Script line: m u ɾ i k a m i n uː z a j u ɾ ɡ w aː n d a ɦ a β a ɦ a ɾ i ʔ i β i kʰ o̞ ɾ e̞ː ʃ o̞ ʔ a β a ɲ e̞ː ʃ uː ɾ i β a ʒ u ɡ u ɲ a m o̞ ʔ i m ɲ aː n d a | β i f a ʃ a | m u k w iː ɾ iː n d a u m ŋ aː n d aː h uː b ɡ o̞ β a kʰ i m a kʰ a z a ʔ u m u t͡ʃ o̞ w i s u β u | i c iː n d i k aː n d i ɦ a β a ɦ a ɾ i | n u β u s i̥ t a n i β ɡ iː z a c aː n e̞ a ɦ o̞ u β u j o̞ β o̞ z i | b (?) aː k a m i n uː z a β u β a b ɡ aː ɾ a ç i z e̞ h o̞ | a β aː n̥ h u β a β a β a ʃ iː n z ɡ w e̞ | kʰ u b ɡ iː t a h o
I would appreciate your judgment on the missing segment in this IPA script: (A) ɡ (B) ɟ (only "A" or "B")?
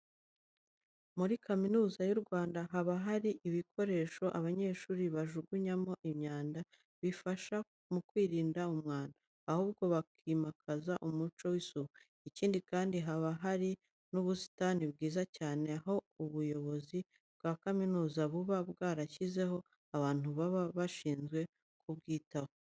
A